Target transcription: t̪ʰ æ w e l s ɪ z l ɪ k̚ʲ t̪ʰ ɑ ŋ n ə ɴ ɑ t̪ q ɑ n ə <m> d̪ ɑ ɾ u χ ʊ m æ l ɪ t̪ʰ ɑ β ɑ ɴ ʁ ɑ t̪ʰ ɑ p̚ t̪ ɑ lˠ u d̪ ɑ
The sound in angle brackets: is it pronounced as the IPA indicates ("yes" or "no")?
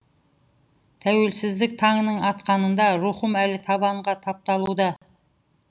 no